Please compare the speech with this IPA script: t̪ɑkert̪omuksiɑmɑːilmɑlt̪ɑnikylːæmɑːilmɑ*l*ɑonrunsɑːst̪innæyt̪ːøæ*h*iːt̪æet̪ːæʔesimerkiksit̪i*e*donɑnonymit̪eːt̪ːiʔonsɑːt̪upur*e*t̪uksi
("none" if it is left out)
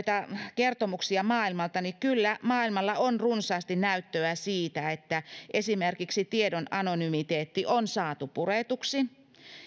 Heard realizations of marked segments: lː, s, e, e

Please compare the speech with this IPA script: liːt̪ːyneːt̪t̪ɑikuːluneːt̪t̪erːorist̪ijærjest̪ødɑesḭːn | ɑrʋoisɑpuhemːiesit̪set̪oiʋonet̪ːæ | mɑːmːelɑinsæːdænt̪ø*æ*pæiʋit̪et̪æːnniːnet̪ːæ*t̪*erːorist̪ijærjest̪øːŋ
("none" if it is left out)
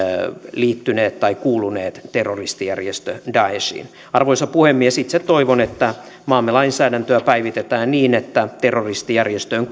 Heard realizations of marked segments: æ, t̪

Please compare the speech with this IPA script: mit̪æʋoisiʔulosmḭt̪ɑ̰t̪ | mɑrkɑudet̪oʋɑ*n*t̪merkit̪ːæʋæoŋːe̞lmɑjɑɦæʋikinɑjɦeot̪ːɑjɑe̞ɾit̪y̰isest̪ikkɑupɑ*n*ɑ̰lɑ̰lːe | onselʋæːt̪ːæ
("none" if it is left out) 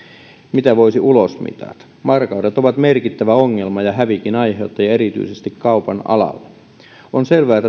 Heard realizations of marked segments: none, n

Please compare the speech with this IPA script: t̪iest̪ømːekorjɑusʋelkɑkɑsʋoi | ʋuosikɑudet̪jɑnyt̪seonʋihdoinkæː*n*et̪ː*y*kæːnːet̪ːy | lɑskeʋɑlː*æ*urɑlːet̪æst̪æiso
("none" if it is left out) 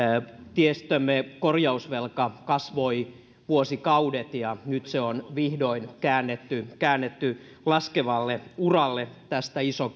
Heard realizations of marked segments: nː, y, e

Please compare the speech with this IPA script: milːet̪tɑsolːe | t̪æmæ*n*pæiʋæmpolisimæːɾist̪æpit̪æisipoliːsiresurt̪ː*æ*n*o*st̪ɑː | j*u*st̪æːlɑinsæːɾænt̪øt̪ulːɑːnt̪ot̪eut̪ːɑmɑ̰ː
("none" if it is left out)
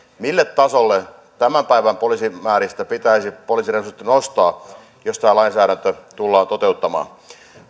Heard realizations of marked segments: m, i, o, o

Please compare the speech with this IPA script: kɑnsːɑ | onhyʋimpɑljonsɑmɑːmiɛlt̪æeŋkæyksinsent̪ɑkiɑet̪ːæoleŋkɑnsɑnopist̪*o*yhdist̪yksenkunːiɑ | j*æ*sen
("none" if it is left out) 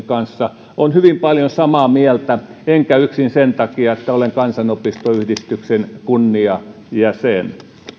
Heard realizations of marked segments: o, æ

